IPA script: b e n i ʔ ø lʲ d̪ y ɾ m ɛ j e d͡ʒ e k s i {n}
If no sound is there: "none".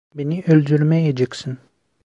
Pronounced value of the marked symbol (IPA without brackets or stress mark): n